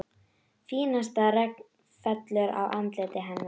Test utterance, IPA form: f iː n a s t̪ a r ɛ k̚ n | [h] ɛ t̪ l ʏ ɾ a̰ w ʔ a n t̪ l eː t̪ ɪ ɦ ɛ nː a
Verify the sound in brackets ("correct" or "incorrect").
incorrect